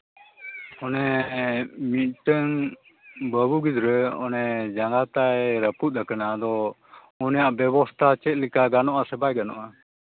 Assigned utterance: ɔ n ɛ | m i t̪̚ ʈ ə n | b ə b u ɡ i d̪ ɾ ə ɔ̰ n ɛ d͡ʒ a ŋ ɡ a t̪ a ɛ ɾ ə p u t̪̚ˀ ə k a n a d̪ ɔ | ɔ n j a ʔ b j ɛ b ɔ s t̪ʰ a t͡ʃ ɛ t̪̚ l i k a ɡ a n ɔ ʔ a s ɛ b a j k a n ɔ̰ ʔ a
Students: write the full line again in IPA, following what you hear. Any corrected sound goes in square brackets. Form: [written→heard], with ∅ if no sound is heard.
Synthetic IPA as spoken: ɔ n ɛ | m i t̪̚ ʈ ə [n→ŋ] | b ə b u ɡ i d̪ ɾ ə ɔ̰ n ɛ d͡ʒ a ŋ ɡ a t̪ a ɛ ɾ ə p u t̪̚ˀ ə k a n a d̪ ɔ | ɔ n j a ʔ b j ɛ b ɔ s t̪ʰ a t͡ʃ ɛ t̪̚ l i k a ɡ a n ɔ ʔ a s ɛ b a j [k→ɡ] a n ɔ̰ ʔ a